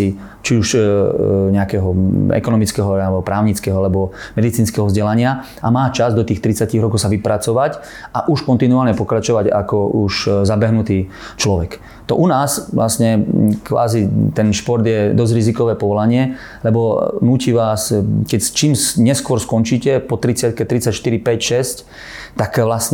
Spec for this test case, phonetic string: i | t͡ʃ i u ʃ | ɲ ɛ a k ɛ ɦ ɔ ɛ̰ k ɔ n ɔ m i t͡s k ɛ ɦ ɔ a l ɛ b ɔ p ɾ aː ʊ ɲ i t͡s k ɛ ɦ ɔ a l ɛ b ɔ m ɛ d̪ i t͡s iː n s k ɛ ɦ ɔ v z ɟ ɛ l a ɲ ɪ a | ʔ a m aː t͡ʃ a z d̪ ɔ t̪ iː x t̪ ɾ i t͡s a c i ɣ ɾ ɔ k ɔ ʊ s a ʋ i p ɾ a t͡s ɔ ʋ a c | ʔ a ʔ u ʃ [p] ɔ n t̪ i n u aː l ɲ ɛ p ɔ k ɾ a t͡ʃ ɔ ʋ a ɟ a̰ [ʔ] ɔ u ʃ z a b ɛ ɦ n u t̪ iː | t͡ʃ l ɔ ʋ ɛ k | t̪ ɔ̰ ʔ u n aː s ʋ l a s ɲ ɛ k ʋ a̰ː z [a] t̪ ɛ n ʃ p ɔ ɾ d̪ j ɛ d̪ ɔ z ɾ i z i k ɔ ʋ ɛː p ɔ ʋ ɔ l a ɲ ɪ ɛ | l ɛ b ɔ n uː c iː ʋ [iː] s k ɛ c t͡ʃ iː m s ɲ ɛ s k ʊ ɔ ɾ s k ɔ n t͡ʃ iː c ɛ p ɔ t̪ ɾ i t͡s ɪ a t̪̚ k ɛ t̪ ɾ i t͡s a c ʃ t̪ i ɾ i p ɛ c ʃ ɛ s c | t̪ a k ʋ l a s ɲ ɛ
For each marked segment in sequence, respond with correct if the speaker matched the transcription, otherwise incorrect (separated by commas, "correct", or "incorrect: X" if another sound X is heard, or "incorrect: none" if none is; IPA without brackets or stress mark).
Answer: incorrect: k, incorrect: k, incorrect: i, incorrect: aː